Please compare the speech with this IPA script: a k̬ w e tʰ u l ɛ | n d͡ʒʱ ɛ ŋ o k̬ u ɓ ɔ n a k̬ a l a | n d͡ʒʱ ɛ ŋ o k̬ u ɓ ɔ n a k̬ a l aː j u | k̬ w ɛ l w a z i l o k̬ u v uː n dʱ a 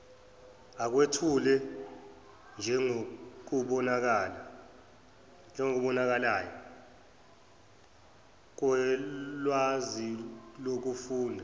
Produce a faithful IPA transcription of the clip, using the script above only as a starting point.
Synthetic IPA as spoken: a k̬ w e tʰ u l ɛ | n d͡ʒʱ ɛ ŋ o k̬ u ɓ ɔ n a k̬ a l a | n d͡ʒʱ ɛ ŋ o k̬ u ɓ ɔ n a k̬ a l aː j ɔ | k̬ w ɛ l w a z i l o k̬ u f uː n dʱ a